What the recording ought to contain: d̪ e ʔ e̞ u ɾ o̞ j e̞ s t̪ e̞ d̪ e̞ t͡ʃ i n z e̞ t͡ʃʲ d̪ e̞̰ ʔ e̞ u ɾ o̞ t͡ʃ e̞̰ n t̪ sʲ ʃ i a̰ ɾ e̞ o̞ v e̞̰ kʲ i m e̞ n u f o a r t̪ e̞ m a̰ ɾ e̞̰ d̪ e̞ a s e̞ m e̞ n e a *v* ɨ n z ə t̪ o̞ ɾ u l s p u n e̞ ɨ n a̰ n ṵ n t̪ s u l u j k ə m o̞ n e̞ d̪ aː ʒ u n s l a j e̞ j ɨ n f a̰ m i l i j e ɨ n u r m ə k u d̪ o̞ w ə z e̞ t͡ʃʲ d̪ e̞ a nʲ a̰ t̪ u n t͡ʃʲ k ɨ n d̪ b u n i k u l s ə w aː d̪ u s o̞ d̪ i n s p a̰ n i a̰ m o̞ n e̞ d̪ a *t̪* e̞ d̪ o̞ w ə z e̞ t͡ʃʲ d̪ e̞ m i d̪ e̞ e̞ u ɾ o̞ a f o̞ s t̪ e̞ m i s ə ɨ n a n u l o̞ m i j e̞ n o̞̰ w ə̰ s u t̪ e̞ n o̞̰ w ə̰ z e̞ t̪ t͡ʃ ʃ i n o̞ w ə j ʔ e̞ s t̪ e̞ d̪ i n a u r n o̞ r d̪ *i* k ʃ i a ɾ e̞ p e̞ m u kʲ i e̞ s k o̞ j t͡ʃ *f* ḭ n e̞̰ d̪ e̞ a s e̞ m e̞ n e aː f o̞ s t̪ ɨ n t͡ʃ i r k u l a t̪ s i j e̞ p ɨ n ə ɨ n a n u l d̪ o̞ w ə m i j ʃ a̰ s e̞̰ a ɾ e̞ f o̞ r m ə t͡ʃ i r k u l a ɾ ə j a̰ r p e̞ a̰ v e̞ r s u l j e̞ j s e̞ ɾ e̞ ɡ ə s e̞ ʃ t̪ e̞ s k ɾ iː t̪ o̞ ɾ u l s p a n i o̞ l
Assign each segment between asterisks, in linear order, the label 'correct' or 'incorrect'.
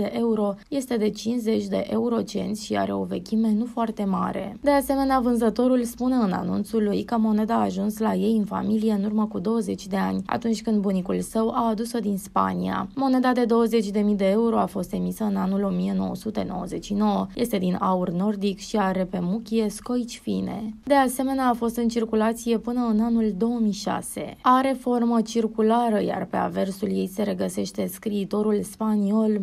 correct, incorrect, correct, correct

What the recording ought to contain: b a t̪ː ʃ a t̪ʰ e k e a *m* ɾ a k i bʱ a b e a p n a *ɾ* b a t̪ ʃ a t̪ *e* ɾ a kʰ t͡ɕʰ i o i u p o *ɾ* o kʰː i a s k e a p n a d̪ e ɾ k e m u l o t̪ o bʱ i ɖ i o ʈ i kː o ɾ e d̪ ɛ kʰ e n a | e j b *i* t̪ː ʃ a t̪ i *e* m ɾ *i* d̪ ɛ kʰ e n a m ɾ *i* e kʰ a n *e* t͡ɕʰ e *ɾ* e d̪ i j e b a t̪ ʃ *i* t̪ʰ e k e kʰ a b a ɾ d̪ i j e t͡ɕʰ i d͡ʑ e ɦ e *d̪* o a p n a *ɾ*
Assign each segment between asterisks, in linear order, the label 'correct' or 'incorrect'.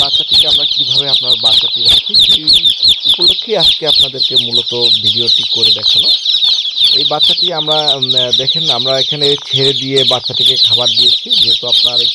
correct, correct, incorrect, incorrect, incorrect, incorrect, incorrect, incorrect, correct, correct, incorrect, incorrect, correct

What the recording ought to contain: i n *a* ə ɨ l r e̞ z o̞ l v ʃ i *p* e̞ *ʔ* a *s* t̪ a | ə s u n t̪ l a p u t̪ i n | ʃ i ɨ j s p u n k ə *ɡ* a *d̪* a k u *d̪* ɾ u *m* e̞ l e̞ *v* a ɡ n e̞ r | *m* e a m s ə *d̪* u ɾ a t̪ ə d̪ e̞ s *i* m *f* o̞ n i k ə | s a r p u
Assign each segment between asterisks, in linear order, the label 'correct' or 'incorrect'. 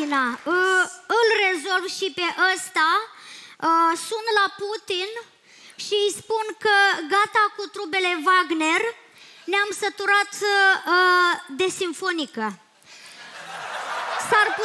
correct, correct, correct, correct, correct, incorrect, incorrect, incorrect, correct, incorrect, incorrect, correct, correct

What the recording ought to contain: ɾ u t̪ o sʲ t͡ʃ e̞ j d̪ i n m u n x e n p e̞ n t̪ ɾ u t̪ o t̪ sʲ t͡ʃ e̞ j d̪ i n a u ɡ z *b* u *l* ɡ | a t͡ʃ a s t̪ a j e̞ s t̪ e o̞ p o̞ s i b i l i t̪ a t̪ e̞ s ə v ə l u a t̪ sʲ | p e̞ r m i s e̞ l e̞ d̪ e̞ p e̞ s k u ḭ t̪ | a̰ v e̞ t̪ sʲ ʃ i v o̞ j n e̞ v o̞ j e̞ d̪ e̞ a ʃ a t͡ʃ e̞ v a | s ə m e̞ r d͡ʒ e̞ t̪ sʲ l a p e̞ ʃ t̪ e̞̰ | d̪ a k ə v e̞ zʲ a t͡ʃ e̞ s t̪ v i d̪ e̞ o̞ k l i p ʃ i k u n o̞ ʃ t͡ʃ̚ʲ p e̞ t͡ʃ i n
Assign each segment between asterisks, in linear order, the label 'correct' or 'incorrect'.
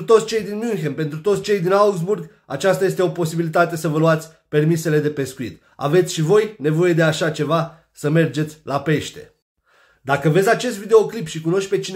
correct, incorrect

